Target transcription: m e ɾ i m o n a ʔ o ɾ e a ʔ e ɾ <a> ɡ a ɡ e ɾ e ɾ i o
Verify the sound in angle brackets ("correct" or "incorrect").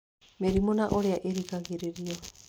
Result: incorrect